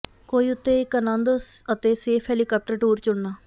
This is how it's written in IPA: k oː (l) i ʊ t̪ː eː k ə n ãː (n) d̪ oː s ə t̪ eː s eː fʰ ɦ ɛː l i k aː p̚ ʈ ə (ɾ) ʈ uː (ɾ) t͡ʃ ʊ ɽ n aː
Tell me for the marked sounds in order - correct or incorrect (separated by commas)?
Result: incorrect, correct, correct, correct